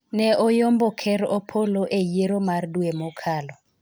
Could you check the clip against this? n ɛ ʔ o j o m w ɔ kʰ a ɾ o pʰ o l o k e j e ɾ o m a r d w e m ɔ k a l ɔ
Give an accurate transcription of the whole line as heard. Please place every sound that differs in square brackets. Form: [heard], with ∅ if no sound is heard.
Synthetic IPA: n ɛ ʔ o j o m [b] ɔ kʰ [ɛ] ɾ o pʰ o l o [ʔ] e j e ɾ o m a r d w e m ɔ [kʰ] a l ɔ